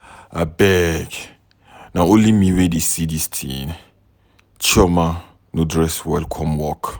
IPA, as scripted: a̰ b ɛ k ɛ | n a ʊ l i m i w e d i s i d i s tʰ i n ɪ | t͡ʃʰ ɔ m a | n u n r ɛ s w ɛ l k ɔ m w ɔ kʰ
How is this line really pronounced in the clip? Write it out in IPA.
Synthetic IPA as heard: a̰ b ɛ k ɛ | n a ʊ l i m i w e d i s i d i s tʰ i n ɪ | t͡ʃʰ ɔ m a | n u d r ɛ s w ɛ l kʰ ɔ m w ɔ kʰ